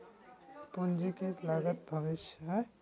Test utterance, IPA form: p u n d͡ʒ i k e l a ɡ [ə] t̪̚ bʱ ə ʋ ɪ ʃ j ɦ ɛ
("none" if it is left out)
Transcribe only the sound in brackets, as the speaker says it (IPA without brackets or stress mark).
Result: ə